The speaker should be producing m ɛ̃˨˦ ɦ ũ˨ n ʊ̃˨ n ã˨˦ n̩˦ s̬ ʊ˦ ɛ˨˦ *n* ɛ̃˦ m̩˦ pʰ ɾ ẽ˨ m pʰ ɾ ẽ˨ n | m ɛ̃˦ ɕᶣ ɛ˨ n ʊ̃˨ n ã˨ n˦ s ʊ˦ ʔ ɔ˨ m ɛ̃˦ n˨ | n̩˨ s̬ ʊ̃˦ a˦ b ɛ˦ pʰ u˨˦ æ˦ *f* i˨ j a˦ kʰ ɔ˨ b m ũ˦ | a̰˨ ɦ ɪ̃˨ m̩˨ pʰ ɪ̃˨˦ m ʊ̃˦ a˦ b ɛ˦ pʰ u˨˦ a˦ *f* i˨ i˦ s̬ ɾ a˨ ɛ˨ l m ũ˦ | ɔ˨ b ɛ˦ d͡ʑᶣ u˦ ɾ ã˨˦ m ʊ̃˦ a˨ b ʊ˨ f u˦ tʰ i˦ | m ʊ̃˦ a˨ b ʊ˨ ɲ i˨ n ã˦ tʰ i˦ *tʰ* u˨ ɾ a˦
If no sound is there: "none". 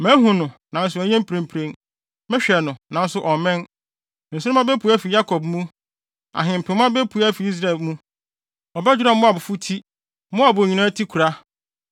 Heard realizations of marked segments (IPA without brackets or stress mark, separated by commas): ɲ, f, f, kʰ